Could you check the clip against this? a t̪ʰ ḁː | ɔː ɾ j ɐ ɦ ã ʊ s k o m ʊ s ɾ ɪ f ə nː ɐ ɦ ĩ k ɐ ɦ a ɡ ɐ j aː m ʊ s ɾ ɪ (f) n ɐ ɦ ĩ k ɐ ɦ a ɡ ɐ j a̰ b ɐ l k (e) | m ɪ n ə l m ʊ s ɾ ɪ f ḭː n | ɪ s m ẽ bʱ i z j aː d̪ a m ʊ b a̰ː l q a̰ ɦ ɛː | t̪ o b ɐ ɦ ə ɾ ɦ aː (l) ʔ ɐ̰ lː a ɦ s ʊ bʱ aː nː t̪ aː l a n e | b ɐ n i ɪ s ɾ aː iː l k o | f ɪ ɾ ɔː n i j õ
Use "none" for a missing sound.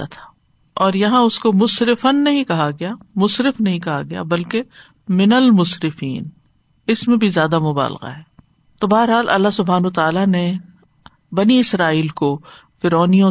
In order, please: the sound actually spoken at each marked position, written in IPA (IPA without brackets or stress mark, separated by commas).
f, e, l